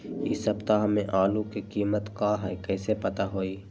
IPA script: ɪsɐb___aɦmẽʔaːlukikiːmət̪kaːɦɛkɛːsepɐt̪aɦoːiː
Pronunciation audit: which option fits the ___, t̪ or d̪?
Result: t̪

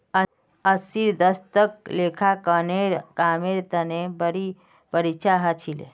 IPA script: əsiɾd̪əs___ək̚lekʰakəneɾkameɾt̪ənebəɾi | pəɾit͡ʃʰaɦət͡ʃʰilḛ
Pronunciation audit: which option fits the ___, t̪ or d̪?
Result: t̪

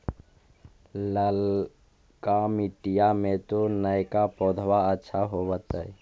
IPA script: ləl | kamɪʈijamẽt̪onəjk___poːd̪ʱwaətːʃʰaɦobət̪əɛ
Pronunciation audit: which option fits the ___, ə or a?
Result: a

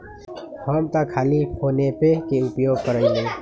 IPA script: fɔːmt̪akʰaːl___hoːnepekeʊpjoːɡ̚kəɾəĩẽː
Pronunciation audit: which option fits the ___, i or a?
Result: i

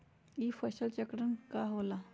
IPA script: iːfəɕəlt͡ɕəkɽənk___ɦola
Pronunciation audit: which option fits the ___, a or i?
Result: a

